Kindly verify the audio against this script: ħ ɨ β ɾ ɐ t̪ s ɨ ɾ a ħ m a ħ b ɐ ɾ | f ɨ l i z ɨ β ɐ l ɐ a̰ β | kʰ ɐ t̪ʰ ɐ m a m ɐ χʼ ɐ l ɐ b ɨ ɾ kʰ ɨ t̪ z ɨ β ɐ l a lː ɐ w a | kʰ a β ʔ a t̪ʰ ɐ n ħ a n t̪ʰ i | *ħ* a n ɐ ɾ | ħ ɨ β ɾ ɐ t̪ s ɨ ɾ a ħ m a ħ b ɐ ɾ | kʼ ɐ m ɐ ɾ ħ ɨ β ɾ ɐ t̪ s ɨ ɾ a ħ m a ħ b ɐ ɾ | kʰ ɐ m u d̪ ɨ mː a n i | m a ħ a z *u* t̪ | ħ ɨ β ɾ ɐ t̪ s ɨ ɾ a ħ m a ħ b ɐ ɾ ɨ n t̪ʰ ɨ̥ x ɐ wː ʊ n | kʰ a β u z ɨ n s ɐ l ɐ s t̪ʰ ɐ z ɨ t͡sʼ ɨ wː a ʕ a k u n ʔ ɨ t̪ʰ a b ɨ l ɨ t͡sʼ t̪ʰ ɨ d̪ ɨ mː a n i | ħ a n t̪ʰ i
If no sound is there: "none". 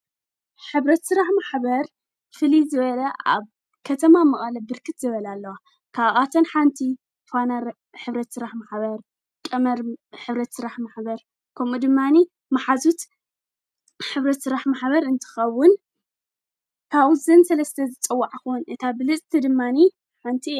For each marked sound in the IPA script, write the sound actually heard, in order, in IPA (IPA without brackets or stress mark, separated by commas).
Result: f, u